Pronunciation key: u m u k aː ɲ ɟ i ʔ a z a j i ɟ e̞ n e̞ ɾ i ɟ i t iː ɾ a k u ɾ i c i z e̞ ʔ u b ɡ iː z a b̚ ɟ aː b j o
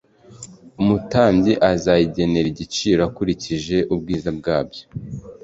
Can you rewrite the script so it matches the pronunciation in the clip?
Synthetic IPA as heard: u m u t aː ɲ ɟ i ʔ a z a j i ɟ e̞ n e̞ ɾ i ɟ i t͡ʃ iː ɾ a k u ɾ i c i ʒ e̞ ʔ u b ɡ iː z a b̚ ɡ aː b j o